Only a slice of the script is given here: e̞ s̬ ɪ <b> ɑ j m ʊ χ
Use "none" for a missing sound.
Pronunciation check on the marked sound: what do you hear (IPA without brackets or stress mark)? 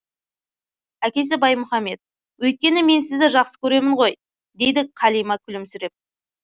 b